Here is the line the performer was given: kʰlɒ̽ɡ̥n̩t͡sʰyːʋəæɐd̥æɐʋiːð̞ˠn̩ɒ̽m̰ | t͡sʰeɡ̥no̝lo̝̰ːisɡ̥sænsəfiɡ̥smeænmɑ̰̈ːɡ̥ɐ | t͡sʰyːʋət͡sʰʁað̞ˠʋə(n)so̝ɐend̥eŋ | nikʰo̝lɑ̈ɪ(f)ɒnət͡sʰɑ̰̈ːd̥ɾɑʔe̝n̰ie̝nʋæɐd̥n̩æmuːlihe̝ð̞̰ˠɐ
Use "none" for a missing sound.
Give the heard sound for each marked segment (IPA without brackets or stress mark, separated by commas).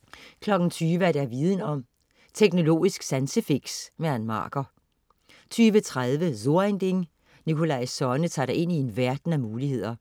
none, s